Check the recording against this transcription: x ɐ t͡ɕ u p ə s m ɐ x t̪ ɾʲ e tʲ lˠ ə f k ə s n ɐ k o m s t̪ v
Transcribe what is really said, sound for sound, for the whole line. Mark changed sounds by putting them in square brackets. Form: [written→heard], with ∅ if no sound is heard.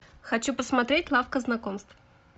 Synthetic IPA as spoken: x ɐ t͡ɕ u p ə s m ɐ [x→∅] t̪ ɾʲ e tʲ lˠ [ə→a] f k ə [s→z] n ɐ k o m s t̪ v